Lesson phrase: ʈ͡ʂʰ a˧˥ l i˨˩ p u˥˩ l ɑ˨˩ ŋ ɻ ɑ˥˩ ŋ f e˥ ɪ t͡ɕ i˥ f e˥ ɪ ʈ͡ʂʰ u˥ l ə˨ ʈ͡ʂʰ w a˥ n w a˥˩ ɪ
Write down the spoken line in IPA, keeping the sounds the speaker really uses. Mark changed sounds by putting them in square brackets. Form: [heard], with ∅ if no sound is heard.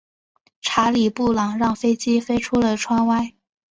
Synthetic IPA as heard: ʈ͡ʂʰ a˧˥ l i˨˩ p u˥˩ l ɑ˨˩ ŋ ɻ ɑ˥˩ ŋ f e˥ ɪ t͡ɕ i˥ f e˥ ɪ ʈ͡ʂʰ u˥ l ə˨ ʈ͡ʂʰ w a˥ n w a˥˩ ɪ